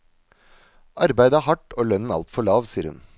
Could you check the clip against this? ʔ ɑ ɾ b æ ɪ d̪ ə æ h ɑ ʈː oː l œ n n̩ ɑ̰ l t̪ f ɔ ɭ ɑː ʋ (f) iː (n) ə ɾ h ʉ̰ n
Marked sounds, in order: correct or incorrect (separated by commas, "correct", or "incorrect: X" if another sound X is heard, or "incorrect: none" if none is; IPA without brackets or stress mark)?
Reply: incorrect: s, incorrect: none